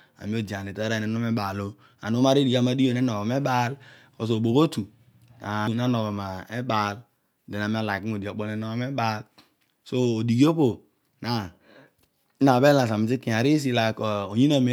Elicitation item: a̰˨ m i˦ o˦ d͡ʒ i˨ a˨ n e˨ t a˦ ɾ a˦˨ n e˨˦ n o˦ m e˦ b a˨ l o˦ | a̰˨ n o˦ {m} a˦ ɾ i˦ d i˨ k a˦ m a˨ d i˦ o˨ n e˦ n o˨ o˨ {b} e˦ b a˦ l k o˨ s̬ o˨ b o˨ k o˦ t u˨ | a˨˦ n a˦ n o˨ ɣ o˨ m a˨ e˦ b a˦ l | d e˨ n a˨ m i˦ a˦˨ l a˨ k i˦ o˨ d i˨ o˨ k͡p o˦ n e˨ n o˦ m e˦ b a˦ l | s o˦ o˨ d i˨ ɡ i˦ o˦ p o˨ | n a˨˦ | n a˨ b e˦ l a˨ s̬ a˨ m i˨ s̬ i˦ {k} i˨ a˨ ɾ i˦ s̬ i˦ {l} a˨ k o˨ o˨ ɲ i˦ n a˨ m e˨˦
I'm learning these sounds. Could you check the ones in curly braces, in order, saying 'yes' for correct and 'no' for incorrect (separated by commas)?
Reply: yes, no, yes, yes